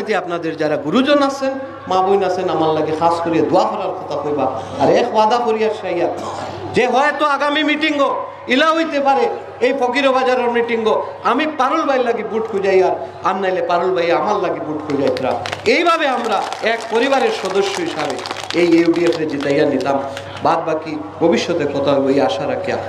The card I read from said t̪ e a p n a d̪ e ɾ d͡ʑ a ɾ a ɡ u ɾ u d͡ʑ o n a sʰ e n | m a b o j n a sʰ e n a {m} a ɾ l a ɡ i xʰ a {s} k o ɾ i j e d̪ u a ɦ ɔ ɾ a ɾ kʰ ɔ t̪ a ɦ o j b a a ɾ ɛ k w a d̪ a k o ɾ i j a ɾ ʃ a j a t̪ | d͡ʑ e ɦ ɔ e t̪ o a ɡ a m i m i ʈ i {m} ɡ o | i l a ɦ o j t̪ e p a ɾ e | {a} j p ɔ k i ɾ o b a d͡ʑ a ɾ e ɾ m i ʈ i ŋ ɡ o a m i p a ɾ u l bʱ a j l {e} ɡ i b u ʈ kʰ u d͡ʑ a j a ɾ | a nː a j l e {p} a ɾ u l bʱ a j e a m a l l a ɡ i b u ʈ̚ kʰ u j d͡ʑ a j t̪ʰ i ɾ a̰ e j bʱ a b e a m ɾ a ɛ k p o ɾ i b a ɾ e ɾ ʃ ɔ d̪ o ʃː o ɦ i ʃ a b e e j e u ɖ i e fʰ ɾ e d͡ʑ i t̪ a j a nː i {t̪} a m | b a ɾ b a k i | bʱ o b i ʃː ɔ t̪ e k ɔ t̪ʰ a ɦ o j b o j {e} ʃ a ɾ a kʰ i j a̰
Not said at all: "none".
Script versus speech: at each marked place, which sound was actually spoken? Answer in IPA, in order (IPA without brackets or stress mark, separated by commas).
m, s, ŋ, e, a, p, t̪, a